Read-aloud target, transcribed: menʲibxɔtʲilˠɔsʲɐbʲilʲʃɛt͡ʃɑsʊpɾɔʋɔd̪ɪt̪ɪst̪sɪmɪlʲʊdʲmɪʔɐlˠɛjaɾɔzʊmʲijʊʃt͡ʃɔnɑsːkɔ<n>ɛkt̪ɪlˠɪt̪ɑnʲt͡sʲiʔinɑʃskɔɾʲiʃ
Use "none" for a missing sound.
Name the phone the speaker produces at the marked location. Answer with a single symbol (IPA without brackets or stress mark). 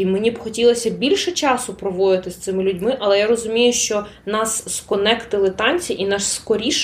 n